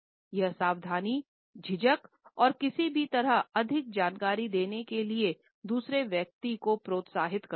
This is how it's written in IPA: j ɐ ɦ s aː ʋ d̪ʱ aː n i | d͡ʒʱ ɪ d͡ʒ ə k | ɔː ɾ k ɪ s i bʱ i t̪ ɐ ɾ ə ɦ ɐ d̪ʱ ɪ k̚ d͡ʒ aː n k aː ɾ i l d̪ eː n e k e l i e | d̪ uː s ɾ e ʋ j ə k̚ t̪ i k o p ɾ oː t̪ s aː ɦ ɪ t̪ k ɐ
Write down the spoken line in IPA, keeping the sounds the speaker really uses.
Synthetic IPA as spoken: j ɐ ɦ s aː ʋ d̪ʱ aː n i | d͡ʒʱ ɪ d͡ʒ ə k | ɔː ɾ k ɪ s i bʱ i t̪ ɐ ɾ ə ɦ ɐ d̪ʱ ɪ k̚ d͡ʒ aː n k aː ɾ i d̪ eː n e k e l i e | d̪ uː s ɾ e ʋ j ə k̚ t̪ i k o p ɾ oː t̪ s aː ɦ ɪ t̪ k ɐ